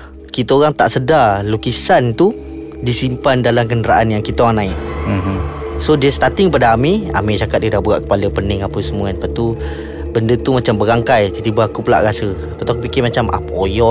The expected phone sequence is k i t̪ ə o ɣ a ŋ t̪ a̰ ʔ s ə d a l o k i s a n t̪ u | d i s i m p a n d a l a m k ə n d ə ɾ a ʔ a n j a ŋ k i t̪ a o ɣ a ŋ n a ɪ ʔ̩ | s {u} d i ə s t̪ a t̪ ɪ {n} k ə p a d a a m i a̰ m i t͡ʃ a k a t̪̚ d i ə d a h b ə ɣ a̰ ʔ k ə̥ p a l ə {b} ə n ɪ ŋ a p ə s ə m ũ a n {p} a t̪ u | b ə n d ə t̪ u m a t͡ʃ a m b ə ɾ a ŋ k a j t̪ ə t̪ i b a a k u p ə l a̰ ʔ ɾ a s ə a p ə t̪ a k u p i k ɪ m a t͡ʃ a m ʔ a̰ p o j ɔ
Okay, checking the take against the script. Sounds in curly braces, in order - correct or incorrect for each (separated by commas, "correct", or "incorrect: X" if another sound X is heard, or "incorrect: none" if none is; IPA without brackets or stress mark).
incorrect: o, incorrect: ŋ, incorrect: p, correct